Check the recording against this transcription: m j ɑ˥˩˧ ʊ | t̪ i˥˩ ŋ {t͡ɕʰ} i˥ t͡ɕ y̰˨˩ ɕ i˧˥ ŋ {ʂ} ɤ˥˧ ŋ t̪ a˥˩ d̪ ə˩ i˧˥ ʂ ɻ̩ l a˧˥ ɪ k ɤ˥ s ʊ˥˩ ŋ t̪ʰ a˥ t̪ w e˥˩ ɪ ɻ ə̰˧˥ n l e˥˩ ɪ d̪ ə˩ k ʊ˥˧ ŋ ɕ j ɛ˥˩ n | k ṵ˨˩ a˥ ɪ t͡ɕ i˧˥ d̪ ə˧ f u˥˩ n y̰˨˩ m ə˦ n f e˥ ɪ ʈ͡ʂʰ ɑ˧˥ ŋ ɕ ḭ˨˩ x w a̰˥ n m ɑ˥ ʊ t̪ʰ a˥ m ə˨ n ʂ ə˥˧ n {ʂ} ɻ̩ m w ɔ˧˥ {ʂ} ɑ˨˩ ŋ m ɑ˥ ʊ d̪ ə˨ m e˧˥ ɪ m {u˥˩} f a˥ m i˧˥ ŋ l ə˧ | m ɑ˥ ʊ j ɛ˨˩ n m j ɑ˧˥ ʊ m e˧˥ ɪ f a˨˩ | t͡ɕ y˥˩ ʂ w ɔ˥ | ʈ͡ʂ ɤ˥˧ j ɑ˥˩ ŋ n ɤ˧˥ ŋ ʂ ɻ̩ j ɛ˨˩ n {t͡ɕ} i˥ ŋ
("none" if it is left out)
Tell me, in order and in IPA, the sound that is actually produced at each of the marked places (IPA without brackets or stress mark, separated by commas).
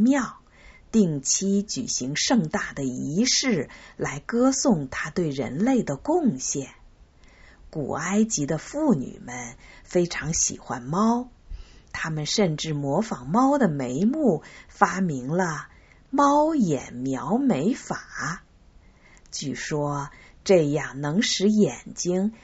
t͡ɕʰ, ʂ, ʈ͡ʂ, f, u˥˩, t͡ɕ